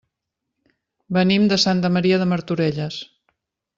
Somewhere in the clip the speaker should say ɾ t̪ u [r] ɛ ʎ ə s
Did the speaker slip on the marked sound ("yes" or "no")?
yes